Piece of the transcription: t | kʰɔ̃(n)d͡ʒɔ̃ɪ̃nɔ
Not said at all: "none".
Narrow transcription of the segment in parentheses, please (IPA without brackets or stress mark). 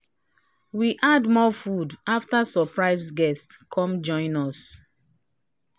m